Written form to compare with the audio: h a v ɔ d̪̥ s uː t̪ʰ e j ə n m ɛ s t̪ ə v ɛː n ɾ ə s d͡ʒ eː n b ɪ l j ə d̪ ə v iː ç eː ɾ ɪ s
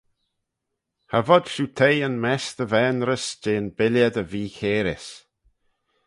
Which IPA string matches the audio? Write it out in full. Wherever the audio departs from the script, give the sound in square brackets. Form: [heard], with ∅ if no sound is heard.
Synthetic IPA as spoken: h a v ɔ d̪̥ [ʃ] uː t̪ʰ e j ə n m ɛ s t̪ ə v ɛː n ɾ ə s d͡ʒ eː n b ɪ l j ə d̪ ə v iː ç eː ɾ ɪ s